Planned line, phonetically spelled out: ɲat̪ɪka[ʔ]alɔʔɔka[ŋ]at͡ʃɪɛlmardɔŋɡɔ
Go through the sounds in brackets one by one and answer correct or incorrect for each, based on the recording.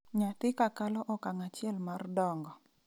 incorrect: k, correct

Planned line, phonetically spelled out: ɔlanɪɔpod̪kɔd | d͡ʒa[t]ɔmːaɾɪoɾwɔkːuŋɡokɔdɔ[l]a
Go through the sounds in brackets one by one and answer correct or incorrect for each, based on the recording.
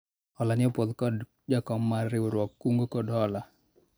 incorrect: k, correct

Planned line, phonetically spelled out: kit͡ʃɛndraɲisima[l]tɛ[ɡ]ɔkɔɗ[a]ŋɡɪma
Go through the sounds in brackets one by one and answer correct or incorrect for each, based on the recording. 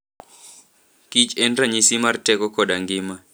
incorrect: r, incorrect: k, correct

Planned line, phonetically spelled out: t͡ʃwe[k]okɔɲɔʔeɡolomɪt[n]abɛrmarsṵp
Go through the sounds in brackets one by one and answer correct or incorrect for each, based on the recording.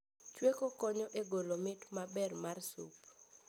correct, incorrect: m

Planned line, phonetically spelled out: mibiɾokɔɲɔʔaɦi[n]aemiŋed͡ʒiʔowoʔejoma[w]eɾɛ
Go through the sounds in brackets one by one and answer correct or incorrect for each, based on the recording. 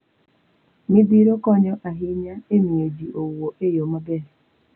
incorrect: ɲ, incorrect: b

